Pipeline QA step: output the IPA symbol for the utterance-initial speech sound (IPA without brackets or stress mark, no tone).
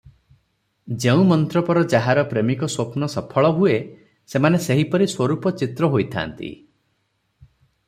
d͡ʒ